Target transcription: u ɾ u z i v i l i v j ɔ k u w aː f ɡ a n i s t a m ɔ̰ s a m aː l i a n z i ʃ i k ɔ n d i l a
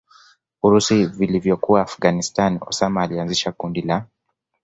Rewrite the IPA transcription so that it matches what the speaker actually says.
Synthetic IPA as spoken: u ɾ u s i v i l i v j ɔ k u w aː f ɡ a n i s t a n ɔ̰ s a m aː l i a n z i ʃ a k u n d i l a

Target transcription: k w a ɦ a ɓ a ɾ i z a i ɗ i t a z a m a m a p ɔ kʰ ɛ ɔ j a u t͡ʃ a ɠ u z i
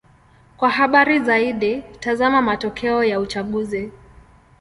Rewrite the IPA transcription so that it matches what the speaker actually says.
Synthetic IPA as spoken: k w a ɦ a ɓ a ɾ i z a i ɗ i t a z a m a m a t ɔ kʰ ɛ ɔ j a u t͡ʃ a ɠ u z i

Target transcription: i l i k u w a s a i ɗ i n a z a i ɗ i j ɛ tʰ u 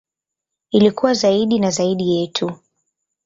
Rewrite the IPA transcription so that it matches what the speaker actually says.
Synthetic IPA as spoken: i l i k u w a z a i ɗ i n a z a i ɗ i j ɛ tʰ u

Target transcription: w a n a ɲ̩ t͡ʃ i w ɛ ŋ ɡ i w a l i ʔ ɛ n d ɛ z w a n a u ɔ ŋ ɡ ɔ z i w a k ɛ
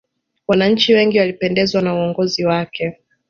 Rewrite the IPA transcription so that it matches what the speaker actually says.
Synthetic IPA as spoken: w a n a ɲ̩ t͡ʃ i w ɛ ŋ ɡ i w a l i p ɛ n d ɛ z w a n a u ɔ ŋ ɡ ɔ z i w a k ɛ

